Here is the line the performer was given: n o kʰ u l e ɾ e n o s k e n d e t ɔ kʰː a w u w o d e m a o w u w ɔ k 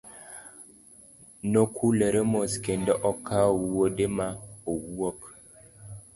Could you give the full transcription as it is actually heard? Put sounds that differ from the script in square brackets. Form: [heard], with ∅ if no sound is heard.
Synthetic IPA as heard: n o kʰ u l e ɾ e [m] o s k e n d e [ʔ] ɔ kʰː a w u w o d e m a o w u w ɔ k